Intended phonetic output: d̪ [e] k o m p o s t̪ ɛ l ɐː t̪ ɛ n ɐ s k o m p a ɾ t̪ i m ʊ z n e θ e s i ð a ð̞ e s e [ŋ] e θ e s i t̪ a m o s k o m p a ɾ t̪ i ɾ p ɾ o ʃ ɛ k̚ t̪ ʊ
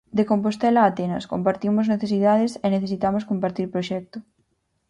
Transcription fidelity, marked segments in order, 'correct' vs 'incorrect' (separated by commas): correct, incorrect